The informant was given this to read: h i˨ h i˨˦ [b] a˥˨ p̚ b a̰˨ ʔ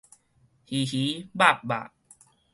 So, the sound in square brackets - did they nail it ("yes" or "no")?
yes